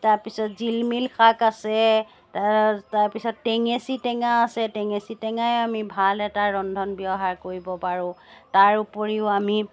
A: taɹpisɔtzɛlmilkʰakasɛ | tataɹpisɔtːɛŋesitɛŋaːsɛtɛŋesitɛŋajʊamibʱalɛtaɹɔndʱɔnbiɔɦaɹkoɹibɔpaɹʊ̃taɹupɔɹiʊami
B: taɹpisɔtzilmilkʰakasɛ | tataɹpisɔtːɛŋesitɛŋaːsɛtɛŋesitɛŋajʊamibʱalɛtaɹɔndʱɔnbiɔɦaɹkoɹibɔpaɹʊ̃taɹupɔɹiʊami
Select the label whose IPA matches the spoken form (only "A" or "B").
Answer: B